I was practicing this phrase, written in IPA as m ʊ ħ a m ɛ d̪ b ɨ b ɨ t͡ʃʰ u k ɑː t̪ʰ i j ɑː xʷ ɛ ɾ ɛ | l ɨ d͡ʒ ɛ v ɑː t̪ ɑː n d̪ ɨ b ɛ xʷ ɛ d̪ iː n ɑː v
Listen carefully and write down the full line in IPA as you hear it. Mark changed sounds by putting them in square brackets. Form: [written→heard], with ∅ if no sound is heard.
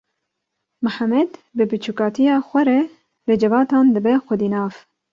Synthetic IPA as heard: m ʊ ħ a m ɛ d̪ b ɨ b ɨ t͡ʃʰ u k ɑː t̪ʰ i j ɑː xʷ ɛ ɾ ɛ | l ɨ d͡ʒ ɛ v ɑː t̪ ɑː n d̪ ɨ b ɛ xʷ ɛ d̪ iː n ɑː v